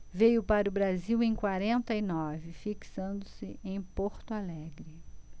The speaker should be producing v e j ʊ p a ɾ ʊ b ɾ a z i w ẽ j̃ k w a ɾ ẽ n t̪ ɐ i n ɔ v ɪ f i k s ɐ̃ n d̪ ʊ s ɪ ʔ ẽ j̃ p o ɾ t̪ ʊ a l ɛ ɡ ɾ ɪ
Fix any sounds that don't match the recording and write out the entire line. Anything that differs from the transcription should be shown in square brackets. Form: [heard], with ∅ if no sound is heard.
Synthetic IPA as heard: v e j ʊ p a ɾ ʊ b ɾ a z i w ẽ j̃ k w a ɾ ẽ n t̪ ɐ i n ɔ v ɪ f i k s ɐ̃ n d̪ ʊ s ɪ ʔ ẽ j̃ p o ɾ t̪ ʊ a l ɛ ɡ ɾ ɪ